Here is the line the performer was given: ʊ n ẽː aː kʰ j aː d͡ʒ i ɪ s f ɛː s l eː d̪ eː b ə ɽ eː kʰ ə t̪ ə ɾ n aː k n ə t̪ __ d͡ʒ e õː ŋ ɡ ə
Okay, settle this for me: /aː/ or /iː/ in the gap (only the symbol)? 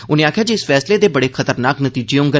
iː